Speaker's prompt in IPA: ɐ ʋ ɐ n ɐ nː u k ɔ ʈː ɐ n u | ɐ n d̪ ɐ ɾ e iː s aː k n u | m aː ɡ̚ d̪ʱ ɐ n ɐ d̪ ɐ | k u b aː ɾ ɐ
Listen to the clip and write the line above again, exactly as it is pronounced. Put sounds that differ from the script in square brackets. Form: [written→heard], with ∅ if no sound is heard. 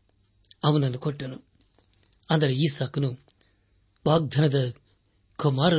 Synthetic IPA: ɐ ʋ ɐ n ɐ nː u k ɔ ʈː ɐ n u | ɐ n d̪ ɐ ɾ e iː s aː k n u | [m→b] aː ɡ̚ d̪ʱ ɐ n ɐ d̪ ɐ | k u [b→m] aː ɾ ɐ